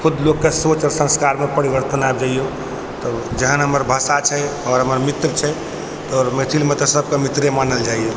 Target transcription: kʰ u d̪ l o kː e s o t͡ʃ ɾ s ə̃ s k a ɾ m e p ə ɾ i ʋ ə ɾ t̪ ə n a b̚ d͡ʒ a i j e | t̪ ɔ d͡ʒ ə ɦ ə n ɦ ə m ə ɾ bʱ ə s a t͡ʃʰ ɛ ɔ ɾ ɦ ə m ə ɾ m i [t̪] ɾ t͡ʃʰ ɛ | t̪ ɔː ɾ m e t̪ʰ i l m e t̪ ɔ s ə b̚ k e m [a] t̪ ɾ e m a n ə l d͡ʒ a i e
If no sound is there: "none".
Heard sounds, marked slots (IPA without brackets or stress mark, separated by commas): t̪, i